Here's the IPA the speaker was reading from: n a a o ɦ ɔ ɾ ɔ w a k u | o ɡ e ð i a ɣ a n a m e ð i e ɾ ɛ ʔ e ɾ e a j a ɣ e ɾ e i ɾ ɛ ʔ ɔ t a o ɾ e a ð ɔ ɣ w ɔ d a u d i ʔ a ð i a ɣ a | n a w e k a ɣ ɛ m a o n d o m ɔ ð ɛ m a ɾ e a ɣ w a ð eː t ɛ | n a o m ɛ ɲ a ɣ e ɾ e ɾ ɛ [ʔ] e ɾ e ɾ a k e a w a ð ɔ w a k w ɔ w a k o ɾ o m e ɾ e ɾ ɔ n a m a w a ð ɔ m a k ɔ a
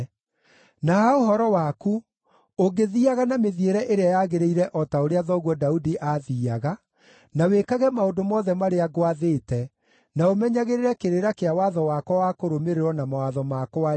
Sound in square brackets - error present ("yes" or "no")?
yes